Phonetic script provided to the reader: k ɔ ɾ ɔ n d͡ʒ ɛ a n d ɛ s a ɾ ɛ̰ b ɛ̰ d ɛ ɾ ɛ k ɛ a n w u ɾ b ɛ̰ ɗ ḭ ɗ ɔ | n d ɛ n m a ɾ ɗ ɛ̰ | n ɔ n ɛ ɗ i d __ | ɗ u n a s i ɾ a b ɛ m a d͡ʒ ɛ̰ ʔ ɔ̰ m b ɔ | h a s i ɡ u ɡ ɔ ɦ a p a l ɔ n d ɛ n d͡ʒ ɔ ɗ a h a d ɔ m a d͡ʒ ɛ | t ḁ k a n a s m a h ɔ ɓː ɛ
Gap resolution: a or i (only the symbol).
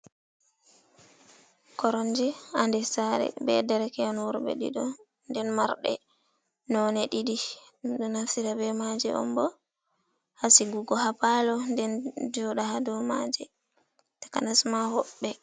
i